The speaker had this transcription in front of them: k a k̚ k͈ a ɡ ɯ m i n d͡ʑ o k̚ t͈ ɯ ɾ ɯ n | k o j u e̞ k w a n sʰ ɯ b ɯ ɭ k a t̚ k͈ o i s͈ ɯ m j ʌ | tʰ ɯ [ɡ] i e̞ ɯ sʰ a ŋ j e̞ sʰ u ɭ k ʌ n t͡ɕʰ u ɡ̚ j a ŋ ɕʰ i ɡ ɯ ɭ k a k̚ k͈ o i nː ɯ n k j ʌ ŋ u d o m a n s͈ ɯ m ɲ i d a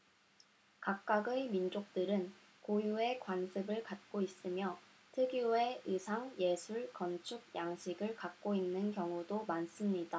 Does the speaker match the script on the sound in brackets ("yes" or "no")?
yes